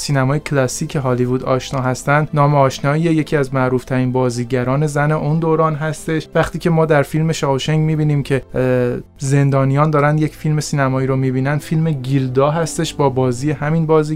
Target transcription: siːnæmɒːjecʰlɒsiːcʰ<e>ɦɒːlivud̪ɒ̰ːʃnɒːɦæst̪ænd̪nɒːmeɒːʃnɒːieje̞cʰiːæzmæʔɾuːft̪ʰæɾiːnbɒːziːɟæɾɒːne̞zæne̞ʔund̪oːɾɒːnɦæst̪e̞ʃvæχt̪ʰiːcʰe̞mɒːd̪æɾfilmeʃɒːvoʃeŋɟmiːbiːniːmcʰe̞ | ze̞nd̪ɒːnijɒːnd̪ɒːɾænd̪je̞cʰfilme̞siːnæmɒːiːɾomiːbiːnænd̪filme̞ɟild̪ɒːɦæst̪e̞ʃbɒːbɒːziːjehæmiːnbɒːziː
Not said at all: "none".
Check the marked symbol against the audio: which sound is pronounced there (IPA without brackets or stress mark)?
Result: e